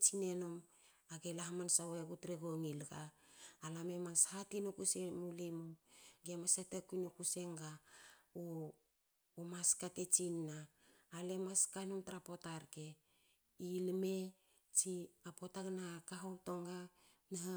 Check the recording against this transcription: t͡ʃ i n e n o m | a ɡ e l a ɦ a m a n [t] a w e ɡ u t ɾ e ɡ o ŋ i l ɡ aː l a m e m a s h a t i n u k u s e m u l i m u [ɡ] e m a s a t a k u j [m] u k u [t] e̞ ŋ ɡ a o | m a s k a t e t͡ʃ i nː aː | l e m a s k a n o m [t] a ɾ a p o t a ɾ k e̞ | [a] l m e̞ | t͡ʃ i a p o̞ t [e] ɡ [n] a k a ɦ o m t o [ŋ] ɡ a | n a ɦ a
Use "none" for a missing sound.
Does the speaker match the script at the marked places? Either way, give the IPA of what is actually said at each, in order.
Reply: s, ɡ, n, s, t, i, a, n, ŋ

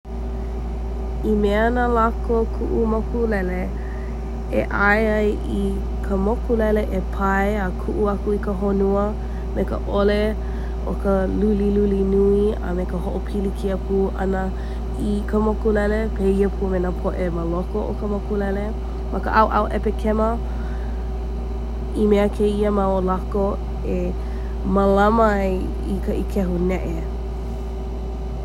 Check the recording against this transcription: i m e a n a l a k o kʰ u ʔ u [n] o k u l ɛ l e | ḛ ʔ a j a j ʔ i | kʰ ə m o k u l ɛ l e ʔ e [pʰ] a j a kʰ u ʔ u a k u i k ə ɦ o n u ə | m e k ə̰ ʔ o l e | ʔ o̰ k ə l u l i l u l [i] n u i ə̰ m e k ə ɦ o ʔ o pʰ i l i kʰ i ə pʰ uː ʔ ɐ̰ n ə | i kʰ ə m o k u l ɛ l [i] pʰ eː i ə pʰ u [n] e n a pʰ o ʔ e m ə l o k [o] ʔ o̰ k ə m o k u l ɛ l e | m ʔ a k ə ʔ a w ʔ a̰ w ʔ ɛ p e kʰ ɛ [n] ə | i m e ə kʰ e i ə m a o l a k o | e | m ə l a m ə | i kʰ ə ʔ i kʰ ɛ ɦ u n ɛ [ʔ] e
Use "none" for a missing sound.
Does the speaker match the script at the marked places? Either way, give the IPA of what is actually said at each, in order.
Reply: m, pʰ, i, e, m, o, m, ʔ

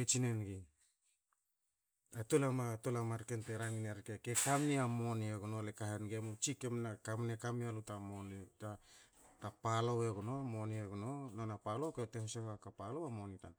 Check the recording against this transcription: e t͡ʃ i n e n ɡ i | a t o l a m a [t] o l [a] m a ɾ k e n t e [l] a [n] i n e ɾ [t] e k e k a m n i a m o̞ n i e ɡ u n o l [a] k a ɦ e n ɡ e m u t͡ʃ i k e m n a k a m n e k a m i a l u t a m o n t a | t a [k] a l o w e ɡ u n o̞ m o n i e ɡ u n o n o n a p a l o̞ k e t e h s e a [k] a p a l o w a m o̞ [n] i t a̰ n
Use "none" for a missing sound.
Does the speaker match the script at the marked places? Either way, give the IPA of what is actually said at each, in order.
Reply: t, a, ɾ, ŋ, k, e, p, k, n

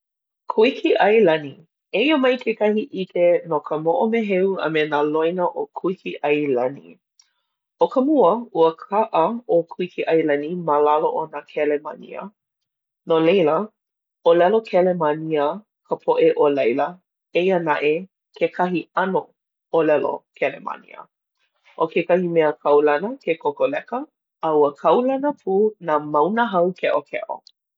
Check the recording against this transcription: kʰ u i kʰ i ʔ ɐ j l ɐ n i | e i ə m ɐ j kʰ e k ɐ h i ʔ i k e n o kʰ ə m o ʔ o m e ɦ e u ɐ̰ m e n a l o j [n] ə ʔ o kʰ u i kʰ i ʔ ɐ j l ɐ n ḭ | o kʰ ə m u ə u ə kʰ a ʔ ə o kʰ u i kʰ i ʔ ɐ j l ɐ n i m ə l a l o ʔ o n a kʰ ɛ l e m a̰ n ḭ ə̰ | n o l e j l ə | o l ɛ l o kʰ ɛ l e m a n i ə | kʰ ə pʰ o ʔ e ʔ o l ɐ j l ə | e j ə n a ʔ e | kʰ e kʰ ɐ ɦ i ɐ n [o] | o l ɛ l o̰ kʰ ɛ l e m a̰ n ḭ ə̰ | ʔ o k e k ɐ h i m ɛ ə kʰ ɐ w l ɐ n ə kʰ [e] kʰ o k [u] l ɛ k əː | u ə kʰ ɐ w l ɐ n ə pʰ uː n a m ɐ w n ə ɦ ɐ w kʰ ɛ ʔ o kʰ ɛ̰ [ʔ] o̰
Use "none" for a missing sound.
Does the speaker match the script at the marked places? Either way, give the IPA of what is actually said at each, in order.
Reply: n, o, e, o, ʔ

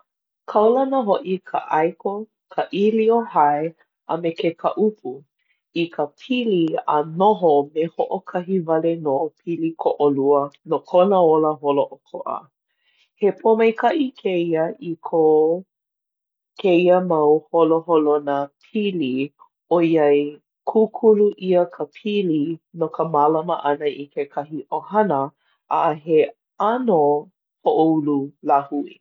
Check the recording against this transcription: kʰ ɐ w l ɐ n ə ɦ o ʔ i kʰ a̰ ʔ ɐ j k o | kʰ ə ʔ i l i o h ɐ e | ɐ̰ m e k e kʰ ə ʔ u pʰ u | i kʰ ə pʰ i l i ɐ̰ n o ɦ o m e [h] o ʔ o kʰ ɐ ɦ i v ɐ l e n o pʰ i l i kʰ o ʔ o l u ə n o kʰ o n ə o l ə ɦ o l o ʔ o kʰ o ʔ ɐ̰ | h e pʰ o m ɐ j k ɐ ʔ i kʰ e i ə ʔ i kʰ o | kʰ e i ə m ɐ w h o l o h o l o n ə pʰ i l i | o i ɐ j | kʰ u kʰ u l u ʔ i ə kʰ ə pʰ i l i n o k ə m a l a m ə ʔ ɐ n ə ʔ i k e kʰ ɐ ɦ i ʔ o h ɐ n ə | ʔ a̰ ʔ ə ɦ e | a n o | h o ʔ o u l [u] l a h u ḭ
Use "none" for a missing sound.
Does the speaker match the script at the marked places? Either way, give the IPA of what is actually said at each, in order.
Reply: h, u

